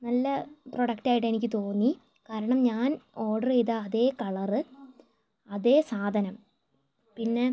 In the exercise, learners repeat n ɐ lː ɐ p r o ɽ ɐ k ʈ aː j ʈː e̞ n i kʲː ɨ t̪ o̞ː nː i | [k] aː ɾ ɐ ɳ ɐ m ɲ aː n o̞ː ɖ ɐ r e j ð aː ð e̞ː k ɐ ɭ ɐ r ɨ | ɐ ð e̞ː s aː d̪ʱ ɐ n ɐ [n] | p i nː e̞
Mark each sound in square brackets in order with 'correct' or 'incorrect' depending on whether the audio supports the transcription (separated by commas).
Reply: correct, incorrect